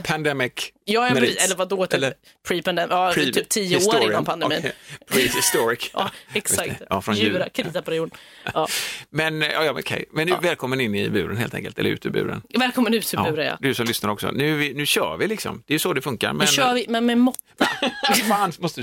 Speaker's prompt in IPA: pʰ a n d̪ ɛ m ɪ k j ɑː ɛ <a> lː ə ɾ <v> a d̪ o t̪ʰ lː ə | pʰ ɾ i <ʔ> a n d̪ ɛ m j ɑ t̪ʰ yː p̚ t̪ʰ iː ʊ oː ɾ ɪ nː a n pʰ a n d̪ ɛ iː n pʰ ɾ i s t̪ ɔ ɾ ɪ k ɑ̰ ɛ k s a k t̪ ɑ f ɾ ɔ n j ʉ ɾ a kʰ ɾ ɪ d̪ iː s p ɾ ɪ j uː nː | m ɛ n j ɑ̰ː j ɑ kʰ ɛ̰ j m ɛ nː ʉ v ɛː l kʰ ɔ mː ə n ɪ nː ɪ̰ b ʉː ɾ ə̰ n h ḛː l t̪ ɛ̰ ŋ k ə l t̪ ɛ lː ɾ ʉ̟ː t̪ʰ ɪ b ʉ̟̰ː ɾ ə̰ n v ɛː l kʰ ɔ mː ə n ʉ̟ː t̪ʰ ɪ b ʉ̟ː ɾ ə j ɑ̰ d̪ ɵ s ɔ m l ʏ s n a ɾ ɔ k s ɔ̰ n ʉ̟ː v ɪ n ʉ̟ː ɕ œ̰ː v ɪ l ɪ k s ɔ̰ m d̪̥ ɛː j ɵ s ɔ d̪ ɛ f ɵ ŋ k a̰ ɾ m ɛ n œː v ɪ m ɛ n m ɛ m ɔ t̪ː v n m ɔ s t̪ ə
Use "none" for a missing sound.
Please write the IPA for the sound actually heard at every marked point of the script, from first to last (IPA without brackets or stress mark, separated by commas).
ɛ, v, p